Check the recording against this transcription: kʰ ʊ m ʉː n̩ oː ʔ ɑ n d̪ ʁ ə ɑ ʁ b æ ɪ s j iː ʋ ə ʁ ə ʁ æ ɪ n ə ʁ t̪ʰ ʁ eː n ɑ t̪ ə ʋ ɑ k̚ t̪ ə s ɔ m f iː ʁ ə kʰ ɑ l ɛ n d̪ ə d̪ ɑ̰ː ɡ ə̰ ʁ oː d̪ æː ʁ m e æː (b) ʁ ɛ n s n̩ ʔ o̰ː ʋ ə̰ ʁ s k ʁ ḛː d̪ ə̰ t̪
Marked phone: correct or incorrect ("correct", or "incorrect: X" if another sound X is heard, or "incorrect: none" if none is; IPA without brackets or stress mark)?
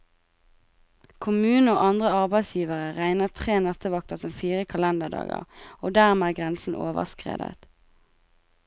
incorrect: ɡ